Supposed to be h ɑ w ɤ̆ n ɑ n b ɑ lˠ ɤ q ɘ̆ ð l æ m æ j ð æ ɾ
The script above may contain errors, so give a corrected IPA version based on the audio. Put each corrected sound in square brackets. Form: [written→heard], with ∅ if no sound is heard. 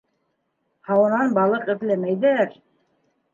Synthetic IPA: h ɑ w ɤ̆ n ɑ n b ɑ lˠ ɤ q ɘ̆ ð l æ m æ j ð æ ɾ